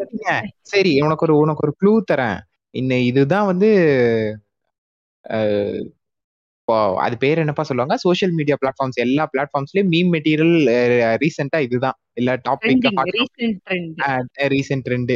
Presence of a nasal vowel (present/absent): present